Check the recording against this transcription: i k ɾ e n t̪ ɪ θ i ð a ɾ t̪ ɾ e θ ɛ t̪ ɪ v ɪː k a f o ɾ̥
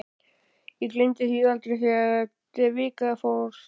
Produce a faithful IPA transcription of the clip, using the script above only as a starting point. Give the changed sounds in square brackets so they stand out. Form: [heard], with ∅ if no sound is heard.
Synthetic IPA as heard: i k [l] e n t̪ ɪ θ i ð a [l] t̪ ɾ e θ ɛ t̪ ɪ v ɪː k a f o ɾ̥